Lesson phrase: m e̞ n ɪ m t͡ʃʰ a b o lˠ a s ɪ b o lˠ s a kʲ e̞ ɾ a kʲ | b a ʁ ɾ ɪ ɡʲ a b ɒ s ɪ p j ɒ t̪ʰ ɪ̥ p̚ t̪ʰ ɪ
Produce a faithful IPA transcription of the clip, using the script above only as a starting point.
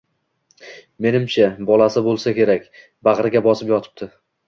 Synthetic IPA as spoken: m e̞ n ɪ m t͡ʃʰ a b ɒ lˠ a s ɪ b o lˠ s a kʲ e̞ ɾ a kʲ | b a ʁ ɾ ɪ ɡʲ a b ɒ s ɪ p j ɒ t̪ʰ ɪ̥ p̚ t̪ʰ ɪ